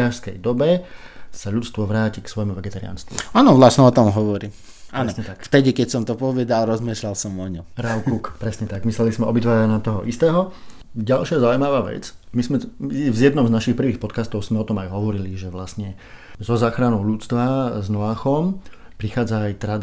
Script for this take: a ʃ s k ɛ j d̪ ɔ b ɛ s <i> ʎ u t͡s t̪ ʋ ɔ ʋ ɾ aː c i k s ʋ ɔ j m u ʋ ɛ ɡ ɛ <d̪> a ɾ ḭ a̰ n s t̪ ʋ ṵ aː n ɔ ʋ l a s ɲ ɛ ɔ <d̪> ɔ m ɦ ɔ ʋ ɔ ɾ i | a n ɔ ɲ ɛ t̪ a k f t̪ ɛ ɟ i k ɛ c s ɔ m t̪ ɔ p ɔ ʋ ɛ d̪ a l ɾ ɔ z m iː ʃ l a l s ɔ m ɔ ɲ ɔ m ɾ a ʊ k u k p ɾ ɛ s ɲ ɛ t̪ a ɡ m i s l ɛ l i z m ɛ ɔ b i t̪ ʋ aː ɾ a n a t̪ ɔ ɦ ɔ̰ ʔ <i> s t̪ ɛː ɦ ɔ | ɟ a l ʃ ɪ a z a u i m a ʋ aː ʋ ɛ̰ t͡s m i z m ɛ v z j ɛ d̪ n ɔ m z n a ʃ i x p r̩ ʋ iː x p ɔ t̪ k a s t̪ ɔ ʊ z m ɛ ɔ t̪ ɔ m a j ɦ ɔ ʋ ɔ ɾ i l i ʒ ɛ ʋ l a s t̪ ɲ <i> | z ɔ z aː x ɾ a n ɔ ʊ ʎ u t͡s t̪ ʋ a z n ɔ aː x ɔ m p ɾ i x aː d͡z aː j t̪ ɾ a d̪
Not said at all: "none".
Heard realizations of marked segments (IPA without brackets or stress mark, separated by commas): a, t̪, t̪, i, ɛ